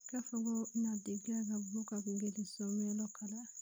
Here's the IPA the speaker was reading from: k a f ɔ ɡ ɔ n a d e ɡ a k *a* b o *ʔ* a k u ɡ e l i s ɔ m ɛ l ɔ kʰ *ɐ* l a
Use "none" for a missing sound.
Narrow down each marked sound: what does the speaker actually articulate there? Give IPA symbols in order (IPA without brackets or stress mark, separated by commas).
a, k, a